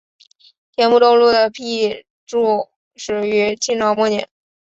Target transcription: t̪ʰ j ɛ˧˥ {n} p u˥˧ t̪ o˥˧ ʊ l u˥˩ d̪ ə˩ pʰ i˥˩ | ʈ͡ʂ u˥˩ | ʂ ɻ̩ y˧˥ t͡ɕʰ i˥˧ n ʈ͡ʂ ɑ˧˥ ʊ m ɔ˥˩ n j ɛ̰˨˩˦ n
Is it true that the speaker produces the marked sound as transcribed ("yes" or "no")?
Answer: yes